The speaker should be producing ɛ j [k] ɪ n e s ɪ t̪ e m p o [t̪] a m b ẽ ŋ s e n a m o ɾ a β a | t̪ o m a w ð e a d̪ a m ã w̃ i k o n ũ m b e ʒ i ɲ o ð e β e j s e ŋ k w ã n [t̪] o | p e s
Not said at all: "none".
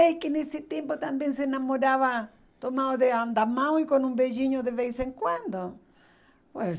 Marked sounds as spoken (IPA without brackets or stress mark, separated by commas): k, t̪, d̪